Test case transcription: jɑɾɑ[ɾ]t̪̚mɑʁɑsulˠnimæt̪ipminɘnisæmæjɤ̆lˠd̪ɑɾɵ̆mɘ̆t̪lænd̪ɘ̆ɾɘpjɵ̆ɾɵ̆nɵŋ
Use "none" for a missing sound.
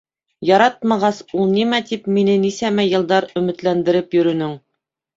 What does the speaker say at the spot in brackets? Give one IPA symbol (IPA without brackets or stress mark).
none